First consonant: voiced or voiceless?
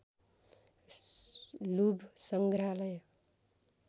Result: voiced